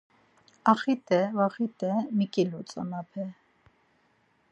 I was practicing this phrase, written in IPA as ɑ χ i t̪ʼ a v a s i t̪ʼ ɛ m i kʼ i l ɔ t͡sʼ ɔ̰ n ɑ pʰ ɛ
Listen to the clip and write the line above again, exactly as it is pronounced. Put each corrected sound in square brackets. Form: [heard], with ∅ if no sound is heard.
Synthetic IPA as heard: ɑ χ i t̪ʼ [ɛ] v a [χ] i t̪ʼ ɛ m i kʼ i l [u] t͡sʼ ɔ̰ n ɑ pʰ ɛ

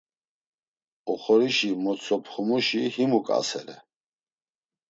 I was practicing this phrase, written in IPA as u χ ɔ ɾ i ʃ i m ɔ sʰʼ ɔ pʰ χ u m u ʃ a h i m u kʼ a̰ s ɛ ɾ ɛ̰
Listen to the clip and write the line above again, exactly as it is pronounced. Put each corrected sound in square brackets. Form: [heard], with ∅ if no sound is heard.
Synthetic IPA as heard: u χ ɔ ɾ i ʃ i m ɔ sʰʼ ɔ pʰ χ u m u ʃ [i] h i m u kʼ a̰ s ɛ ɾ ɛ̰

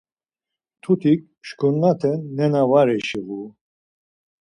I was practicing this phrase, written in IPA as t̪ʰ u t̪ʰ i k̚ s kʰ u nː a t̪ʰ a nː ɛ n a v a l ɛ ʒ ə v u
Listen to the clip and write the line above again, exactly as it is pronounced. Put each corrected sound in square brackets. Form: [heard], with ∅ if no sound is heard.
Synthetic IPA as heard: t̪ʰ u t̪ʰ i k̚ [ʃ] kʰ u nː a t̪ʰ [ɛ] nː ɛ n a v a [ɾ] ɛ [ʃ] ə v u

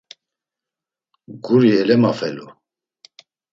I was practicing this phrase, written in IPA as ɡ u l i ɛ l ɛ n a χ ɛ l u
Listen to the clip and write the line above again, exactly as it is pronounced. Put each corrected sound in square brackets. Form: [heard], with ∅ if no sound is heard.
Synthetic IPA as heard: ɡ u [ɾ] i ɛ l ɛ [m] a [f] ɛ l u

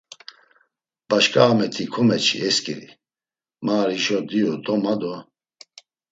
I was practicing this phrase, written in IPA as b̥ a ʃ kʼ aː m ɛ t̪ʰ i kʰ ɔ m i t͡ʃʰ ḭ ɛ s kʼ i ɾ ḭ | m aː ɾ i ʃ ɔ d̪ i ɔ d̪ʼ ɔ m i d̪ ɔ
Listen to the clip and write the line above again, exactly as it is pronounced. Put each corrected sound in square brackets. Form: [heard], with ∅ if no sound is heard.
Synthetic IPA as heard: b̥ a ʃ kʼ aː m ɛ t̪ʰ i kʰ ɔ m [ɛ] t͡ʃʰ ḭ ɛ s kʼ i ɾ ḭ | m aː ɾ i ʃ ɔ d̪ i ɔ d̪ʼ ɔ m [a] d̪ ɔ

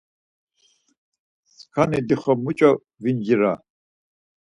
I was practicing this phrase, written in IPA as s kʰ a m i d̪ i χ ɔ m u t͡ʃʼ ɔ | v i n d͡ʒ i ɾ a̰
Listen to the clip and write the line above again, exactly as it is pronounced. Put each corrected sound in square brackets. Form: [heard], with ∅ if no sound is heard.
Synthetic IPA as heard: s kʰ a [n] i d̪ i χ ɔ m u t͡ʃʼ ɔ | v i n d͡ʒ i ɾ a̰

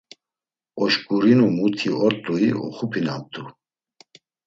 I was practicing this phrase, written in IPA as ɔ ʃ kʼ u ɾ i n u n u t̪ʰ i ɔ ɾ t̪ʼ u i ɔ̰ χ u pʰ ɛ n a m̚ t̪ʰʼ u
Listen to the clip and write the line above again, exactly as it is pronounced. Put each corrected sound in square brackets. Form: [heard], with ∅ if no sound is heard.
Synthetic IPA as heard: ɔ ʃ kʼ u ɾ i n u [m] u t̪ʰ i ɔ ɾ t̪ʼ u i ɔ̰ χ u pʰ [i] n a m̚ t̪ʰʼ u

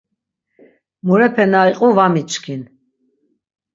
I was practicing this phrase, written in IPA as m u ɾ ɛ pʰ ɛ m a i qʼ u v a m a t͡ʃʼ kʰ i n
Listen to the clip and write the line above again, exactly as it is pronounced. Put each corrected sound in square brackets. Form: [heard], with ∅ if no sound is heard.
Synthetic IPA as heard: m u ɾ ɛ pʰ ɛ [n] a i qʼ u v a m [i] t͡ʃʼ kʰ i n

